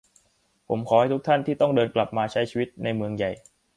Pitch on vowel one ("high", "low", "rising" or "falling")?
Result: rising